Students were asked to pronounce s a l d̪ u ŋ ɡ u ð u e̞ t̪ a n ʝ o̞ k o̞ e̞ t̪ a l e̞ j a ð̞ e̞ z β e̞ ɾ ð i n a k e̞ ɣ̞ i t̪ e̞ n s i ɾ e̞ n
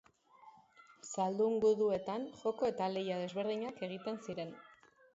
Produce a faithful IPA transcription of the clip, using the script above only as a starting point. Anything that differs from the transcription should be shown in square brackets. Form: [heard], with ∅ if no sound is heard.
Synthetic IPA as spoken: s a l d̪ u ŋ ɡ u ð u e̞ t̪ a n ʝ o̞ k o̞ e̞ t̪ a l e̞ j a ð̞ e̞ z β e̞ ɾ ð i [ɲ] a k e̞ ɣ̞ i t̪ e̞ n s i ɾ e̞ n

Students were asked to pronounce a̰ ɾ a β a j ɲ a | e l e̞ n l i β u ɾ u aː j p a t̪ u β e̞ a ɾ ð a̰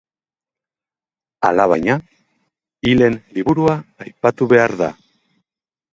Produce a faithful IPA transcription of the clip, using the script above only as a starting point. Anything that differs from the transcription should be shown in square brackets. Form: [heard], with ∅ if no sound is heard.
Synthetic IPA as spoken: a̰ [l] a β a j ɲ a | [i] l e̞ n l i β u ɾ u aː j p a t̪ u β e̞ a ɾ ð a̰

